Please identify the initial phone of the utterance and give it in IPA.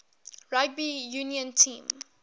ɹ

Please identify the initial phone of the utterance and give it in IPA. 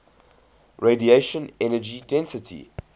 ɹ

